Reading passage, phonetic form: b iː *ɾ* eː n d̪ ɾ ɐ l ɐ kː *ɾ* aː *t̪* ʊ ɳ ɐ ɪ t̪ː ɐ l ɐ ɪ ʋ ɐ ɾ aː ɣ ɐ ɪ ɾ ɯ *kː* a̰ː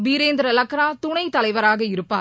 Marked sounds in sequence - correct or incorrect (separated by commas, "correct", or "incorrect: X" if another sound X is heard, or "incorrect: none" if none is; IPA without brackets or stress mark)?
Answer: correct, correct, correct, incorrect: pː